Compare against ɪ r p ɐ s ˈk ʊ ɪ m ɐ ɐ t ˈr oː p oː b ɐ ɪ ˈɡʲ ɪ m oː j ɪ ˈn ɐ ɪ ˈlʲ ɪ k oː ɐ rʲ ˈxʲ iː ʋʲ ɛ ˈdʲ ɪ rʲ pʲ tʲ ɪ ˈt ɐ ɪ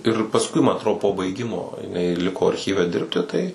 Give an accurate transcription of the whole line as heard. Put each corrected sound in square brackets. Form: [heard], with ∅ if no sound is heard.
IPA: ɪ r p ɐ s ˈk ʊ ɪ m ɐ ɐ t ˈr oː p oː b ɐ ɪ ˈɡʲ ɪ m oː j ɪ ˈn ɐ ɪ ˈlʲ ɪ k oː ɐ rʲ ˈxʲ iː ʋʲ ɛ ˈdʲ ɪ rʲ pʲ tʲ ɪ ˈt ɐ ɪ